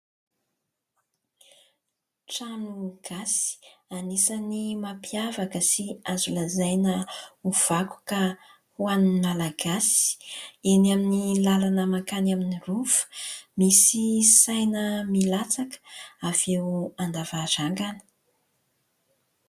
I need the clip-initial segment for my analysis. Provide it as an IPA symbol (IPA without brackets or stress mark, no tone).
ʈ͡ʂ